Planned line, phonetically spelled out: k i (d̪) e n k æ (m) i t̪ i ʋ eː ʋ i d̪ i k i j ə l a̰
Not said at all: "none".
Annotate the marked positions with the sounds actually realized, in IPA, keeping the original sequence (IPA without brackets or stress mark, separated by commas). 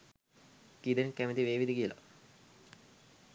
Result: d̪, m